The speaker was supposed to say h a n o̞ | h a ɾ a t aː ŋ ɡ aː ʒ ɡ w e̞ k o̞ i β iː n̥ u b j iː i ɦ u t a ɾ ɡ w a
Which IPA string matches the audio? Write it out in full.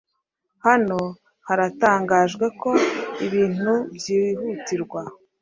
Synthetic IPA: h a n o̞ | h a ɾ a t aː ŋ ɡ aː ʒ ɡ w e̞ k o̞ i β iː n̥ u b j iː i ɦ u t i ɾ ɡ w a